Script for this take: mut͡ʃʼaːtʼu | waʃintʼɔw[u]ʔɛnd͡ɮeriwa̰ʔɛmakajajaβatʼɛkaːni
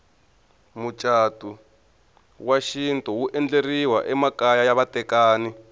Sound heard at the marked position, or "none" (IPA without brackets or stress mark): u